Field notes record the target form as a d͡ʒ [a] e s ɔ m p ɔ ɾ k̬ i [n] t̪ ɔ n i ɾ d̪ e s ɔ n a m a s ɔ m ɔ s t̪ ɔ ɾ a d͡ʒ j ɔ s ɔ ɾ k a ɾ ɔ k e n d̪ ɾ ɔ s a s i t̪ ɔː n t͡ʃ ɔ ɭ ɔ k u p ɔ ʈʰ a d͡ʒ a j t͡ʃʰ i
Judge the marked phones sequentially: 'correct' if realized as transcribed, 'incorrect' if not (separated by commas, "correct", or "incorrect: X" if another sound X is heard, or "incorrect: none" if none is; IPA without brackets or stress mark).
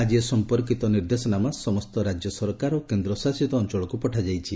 incorrect: i, incorrect: none